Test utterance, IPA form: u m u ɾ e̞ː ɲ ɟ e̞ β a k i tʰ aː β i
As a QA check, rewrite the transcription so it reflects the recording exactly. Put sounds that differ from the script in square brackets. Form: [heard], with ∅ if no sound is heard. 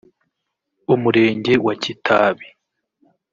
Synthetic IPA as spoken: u m u ɾ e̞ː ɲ ɟ e̞ [w] a [c] i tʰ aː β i